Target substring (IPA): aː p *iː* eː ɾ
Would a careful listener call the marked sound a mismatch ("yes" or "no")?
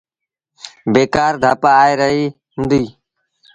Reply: yes